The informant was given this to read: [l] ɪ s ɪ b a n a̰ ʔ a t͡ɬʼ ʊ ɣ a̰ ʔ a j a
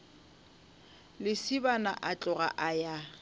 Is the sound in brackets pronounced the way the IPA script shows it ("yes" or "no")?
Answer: yes